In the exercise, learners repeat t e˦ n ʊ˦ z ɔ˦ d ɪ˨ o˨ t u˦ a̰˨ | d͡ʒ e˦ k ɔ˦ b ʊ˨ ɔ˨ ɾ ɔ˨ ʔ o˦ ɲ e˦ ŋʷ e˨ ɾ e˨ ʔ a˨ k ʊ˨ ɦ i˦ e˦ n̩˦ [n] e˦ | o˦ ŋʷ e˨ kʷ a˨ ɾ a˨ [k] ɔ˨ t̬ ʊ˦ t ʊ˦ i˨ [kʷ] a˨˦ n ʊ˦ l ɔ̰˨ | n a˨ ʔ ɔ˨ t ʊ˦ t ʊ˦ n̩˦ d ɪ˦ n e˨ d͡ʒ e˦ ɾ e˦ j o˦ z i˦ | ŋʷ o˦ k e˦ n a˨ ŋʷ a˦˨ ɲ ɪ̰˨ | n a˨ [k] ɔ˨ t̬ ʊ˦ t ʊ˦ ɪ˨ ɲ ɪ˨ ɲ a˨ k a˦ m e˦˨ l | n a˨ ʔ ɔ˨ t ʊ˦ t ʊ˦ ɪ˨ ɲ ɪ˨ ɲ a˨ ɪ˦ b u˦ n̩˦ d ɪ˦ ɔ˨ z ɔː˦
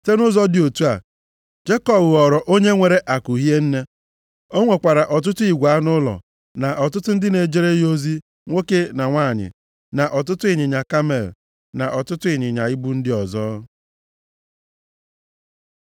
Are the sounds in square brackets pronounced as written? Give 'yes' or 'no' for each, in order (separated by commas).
yes, no, no, no